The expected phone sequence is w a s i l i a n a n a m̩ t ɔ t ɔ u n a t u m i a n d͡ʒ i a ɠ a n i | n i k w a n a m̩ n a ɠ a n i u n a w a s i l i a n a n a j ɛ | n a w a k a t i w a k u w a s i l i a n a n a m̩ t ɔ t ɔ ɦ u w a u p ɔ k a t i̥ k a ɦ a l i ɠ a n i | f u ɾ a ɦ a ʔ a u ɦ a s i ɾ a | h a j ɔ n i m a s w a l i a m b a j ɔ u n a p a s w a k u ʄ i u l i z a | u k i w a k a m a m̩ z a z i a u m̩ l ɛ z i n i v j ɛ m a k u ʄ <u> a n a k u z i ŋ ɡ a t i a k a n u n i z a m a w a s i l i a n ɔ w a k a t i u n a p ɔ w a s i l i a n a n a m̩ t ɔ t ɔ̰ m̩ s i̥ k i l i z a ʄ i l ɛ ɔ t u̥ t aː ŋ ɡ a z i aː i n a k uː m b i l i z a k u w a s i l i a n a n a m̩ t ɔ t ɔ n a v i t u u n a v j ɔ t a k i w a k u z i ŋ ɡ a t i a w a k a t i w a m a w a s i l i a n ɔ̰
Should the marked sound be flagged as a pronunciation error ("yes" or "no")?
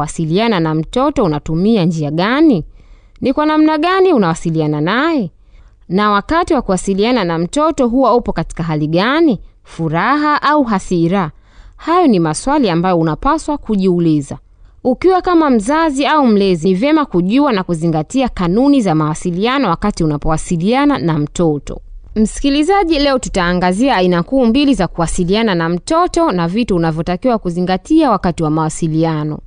no